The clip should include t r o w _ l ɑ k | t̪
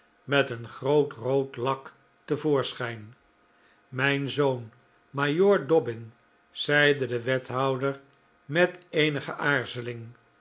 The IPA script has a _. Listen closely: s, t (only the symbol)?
t